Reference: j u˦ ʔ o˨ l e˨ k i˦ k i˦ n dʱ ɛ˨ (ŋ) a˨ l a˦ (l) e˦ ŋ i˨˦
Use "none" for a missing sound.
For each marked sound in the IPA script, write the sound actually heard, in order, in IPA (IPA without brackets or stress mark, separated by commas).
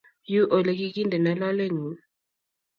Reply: n, l